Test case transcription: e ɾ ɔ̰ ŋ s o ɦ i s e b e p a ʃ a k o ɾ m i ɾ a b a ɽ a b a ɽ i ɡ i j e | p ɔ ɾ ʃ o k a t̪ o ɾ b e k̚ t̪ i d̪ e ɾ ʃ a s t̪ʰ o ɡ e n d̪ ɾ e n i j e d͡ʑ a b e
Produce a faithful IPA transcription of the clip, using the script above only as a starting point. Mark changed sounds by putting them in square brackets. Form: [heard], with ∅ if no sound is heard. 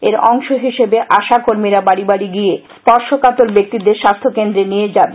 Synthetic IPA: e ɾ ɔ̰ ŋ [ʃ] o ɦ i [ʃ] e b e [ʔ] a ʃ a k o ɾ m i ɾ a b a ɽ [i] b a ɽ i ɡ i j e | p ɔ ɾ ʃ o k a t̪ o ɾ b e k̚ t̪ i d̪ e ɾ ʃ a s t̪ʰ o [k] e n d̪ ɾ e n i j e d͡ʑ a b e